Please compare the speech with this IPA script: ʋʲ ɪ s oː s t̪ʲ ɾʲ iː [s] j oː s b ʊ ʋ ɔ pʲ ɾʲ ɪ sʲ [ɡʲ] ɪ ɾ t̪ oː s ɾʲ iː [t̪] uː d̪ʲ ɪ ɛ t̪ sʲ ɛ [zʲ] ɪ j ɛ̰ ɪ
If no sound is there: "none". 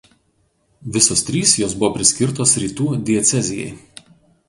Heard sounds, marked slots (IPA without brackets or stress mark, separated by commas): s, kʲ, t̪, zʲ